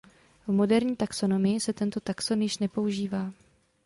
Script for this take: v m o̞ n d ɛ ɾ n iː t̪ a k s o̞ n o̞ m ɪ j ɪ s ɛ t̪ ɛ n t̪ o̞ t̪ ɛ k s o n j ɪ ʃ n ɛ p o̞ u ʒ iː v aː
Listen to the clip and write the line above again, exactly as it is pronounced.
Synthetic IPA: v m o̞ d ɛ ɾ ɲ iː t̪ a k s o̞ n o̞ m ɪ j ɪ s ɛ t̪ ɛ n t̪ o̞ t̪ a k s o n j ɪ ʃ n ɛ p o̞ u ʒ iː v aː

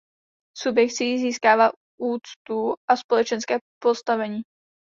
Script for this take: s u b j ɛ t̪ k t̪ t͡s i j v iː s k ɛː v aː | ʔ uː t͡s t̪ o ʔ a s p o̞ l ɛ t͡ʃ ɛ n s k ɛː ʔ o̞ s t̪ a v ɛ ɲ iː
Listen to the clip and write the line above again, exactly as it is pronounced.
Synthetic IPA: s u b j ɛ k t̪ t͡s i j z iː s k aː v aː | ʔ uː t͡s t̪ u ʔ a s p o̞ l ɛ t͡ʃ ɛ n s k ɛː p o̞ s t̪ a v ɛ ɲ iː

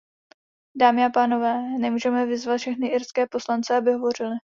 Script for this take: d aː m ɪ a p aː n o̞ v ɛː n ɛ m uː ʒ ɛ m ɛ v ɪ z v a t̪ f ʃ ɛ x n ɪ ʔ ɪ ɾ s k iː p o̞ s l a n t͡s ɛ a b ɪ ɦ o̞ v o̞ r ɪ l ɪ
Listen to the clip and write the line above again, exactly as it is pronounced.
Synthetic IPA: d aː m ɪ a p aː n o̞ v ɛː n ɛ m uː ʒ ɛ m ɛ v ɪ z v a t̪ f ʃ ɛ x n ɪ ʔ ɪ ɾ s k ɛː p o̞ s l a n t͡s ɛ a b ɪ ɦ o̞ v o̞ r ɪ l ɪ

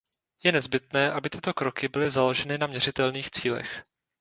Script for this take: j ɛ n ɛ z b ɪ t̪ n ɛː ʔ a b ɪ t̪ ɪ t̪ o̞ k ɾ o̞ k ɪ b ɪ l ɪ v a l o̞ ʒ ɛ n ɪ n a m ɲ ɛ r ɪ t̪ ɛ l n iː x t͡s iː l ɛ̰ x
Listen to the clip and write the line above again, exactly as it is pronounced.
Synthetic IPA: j ɛ n ɛ z b ɪ t̪ n ɛː ʔ a b ɪ t̪ ɪ t̪ o̞ k ɾ o̞ k ɪ b ɪ l ɪ z a l o̞ ʒ ɛ n ɪ n a m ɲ ɛ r ɪ t̪ ɛ l n iː x t͡s iː l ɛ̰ x

